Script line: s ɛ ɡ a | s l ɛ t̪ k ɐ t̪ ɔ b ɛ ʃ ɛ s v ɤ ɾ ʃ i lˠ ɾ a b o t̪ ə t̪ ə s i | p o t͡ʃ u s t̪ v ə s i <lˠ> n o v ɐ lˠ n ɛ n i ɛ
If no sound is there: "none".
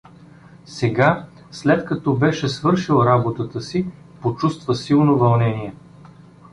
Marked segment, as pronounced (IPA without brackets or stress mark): lˠ